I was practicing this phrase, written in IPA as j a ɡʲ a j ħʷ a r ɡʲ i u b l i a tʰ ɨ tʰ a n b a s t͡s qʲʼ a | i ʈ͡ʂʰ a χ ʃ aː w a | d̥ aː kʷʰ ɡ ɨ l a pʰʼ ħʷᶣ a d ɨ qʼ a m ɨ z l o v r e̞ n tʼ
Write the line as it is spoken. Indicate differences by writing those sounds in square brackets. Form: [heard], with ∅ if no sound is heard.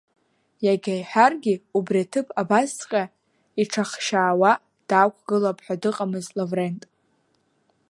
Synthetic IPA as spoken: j a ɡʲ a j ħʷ a r ɡʲ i u b [r] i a tʰ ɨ [pʰ] a [∅] b a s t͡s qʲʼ a | i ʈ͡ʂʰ a χ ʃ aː w a | d̥ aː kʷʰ ɡ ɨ l a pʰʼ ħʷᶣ a d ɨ qʼ a m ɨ z l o v r e̞ n tʼ